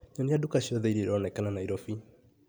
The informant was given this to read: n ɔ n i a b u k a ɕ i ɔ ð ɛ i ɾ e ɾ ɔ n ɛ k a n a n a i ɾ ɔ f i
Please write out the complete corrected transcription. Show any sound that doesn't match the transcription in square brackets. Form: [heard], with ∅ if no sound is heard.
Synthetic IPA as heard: [ɲ] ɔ n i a [d] u k a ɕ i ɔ ð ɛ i ɾ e ɾ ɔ n ɛ k a n a n a i ɾ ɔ f i